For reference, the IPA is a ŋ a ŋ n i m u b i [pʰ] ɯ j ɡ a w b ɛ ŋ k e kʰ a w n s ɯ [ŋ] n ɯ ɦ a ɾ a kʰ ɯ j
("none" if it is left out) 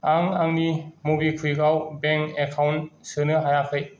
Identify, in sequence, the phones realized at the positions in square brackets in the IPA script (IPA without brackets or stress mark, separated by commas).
kʰ, none